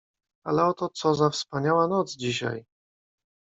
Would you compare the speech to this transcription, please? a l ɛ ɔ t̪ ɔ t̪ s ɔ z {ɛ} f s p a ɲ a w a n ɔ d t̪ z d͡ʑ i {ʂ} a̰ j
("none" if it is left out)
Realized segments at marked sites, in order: a, ɕ

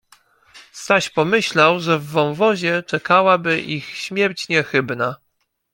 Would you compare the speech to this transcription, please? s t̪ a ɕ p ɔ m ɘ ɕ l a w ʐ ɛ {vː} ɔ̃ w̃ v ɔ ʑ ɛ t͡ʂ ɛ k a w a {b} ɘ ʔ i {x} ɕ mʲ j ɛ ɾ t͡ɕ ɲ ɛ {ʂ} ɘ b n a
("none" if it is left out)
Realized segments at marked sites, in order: vː, b, x, x

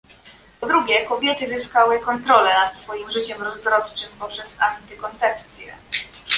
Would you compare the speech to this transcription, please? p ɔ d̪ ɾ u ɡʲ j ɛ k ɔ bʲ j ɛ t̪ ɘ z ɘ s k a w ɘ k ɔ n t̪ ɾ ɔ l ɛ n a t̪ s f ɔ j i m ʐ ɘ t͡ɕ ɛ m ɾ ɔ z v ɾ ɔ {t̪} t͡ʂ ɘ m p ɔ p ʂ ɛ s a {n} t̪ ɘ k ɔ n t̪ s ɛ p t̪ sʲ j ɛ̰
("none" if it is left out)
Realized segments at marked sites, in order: t̪, n

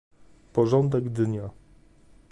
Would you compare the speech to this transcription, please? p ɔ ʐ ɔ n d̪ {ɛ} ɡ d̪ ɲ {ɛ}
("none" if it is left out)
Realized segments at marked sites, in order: ɛ, a

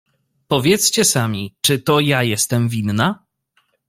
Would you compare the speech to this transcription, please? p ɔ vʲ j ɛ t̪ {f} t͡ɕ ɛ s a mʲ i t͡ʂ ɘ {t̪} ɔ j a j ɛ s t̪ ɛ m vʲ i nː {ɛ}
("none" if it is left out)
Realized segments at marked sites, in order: s, t̪, a

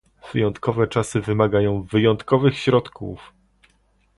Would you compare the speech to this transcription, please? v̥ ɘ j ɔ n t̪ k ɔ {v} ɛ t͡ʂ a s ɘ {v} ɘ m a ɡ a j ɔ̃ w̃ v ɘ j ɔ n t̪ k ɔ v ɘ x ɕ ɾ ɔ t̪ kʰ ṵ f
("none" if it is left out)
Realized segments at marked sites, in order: v, v

